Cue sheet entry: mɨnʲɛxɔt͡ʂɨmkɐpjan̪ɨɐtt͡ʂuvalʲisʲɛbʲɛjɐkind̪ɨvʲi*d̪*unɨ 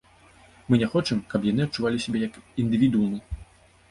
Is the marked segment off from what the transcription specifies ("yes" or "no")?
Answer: no